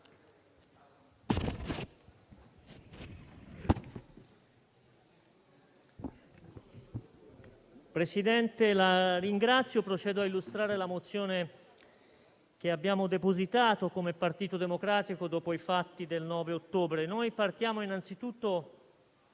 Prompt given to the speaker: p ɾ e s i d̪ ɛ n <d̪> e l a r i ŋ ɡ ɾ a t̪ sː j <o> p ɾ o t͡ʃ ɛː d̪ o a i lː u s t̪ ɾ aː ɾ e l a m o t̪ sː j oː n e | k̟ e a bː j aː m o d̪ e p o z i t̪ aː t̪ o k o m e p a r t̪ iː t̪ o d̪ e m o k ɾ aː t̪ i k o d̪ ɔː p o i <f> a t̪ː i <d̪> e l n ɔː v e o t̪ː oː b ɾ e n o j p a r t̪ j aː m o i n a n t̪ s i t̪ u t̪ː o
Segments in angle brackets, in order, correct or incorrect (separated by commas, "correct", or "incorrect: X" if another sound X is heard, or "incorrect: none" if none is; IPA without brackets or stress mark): incorrect: t̪, correct, correct, correct